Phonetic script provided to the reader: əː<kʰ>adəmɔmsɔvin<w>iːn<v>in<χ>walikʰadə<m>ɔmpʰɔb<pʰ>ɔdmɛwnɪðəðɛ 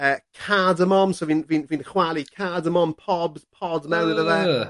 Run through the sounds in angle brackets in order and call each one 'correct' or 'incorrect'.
correct, incorrect: v, correct, correct, correct, correct

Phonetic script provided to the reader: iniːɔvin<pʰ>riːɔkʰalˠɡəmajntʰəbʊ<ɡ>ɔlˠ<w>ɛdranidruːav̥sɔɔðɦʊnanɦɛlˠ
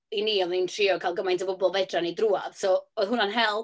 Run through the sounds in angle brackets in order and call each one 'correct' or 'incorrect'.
incorrect: tʰ, incorrect: b, incorrect: v

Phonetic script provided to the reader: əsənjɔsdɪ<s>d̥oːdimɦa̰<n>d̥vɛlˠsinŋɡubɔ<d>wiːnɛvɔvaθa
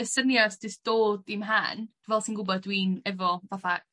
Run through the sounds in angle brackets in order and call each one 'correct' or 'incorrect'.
correct, correct, correct

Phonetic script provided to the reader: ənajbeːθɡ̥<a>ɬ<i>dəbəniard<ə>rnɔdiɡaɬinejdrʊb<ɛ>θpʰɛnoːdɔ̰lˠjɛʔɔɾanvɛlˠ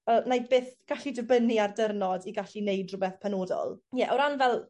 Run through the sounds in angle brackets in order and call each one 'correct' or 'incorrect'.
correct, correct, correct, correct

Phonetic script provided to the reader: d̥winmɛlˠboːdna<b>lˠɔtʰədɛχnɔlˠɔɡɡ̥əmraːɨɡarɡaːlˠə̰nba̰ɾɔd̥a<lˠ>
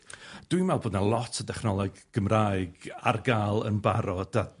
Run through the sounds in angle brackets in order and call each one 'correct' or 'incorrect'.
incorrect: none, incorrect: none

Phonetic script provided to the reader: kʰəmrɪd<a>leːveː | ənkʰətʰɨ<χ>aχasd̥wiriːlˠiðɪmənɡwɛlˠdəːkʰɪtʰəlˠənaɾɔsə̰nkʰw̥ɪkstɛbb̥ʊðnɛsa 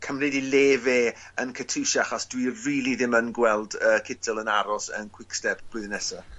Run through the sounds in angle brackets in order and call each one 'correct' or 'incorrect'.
incorrect: i, incorrect: ʃ

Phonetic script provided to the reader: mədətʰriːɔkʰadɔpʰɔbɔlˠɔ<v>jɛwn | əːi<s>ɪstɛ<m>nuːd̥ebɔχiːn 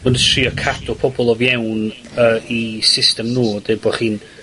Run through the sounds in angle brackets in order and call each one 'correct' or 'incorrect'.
correct, correct, correct

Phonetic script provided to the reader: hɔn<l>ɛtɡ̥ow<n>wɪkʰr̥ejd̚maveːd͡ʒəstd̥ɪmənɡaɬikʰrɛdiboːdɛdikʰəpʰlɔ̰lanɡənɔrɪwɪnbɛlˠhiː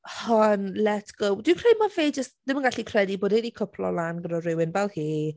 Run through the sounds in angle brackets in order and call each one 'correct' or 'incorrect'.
correct, incorrect: d

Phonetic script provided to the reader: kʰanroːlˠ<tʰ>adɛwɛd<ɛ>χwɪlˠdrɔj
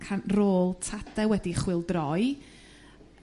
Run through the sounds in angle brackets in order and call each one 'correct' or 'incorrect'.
correct, incorrect: i

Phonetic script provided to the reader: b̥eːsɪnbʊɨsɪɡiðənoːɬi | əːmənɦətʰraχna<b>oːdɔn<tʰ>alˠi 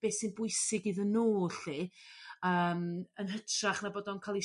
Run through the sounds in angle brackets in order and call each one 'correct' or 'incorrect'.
correct, incorrect: kʰ

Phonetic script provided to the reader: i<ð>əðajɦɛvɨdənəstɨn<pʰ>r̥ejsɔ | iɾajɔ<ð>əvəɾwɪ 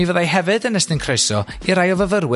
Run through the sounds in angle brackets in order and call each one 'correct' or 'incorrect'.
incorrect: v, incorrect: kʰ, incorrect: v

